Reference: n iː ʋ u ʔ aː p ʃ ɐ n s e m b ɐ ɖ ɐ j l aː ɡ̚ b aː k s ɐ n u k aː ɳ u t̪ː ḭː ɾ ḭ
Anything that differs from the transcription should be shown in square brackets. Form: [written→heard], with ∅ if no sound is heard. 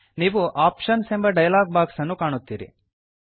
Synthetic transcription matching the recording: n iː ʋ u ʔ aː p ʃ ɐ n s e m b ɐ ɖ ɐ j l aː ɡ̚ b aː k s ɐ [n→nː] u k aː ɳ u t̪ː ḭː ɾ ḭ